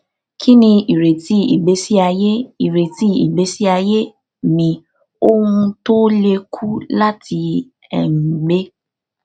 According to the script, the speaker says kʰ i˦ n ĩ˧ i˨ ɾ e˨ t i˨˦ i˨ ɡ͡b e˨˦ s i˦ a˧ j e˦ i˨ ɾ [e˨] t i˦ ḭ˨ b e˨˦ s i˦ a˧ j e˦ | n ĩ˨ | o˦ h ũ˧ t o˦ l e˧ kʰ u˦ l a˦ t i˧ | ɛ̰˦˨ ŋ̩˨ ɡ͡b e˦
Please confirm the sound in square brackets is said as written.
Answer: yes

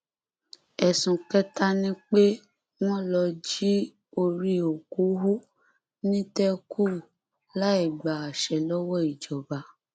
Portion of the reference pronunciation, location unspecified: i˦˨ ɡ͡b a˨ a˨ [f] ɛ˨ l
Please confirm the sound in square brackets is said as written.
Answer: no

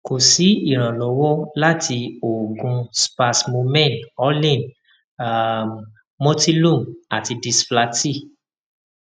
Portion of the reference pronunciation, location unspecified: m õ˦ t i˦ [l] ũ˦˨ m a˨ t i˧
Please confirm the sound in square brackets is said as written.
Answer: yes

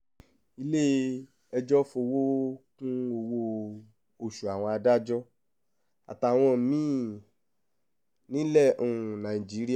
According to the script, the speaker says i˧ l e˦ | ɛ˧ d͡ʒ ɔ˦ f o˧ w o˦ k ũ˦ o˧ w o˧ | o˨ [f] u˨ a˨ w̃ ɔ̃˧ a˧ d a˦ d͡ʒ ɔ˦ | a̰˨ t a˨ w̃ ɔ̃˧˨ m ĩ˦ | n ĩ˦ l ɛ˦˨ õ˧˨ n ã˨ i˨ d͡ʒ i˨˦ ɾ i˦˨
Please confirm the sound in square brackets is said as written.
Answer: no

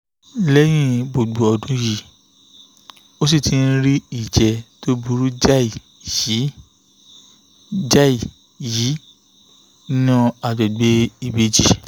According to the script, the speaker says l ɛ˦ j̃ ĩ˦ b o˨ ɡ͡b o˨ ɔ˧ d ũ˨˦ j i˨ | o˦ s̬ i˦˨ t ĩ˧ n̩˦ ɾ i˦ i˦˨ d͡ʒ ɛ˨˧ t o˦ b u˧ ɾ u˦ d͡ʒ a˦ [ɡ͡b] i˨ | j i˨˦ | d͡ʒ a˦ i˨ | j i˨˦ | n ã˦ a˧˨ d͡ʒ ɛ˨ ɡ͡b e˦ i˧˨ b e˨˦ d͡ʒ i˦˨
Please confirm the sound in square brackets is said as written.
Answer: no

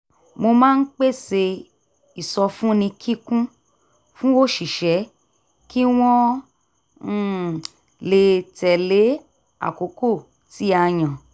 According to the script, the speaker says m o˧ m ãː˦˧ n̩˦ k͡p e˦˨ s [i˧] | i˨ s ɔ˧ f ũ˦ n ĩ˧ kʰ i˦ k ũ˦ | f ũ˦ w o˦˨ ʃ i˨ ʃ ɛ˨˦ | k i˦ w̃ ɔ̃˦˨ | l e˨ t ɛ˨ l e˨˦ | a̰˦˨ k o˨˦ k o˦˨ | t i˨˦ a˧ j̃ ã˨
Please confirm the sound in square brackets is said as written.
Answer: no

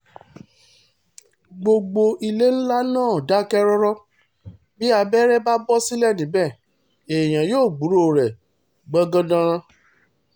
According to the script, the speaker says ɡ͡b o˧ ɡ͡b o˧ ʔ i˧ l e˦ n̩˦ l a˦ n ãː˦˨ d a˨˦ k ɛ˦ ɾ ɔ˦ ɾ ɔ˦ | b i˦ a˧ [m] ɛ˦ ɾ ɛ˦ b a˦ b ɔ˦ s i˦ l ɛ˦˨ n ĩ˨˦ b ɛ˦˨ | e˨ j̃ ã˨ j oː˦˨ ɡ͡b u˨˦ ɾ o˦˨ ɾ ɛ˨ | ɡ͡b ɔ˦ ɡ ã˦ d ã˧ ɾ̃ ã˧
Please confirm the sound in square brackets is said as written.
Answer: no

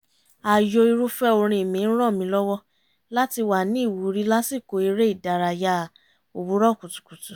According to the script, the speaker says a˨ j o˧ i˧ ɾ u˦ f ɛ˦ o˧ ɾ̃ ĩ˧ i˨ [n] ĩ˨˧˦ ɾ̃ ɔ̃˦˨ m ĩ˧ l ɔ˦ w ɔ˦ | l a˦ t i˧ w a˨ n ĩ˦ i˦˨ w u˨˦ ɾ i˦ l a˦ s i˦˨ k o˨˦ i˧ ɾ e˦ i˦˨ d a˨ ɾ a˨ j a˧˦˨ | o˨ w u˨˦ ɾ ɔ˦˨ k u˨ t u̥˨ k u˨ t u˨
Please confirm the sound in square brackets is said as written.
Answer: no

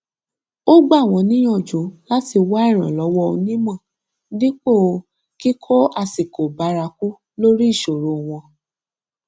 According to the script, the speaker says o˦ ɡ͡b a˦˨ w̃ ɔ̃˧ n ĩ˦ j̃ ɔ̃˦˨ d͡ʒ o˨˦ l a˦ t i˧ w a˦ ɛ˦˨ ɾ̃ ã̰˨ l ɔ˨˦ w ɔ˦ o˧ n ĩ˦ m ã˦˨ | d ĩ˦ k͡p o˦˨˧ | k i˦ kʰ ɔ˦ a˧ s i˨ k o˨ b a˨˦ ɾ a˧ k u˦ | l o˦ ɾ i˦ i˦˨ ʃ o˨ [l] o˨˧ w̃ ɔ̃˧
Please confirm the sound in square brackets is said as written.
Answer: no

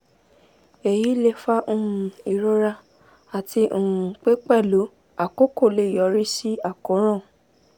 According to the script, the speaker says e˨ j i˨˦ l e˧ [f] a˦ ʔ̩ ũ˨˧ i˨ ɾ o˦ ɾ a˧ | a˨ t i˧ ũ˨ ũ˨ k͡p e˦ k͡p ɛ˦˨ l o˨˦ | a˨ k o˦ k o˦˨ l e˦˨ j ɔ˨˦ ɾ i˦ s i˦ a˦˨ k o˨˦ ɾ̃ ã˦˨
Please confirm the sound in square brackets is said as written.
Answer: yes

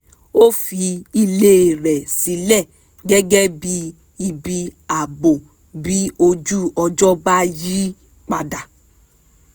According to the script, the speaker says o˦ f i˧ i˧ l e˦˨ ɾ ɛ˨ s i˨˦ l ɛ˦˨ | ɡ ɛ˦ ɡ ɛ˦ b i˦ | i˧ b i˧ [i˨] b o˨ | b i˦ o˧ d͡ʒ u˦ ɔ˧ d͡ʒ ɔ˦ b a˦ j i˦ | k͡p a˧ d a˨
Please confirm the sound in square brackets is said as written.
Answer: no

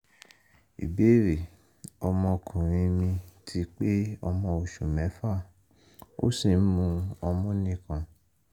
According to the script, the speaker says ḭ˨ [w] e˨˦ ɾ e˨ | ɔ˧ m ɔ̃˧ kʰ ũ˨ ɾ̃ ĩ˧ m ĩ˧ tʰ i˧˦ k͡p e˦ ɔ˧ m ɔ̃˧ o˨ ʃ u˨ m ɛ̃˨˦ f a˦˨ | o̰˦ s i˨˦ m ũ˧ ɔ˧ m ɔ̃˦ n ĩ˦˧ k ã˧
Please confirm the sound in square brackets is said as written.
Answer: no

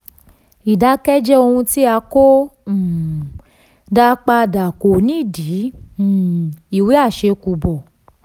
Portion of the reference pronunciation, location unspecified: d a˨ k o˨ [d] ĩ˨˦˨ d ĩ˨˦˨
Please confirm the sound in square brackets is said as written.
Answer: no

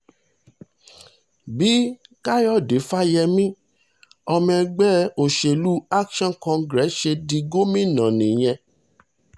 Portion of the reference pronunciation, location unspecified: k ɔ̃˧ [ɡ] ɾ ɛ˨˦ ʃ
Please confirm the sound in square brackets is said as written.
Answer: yes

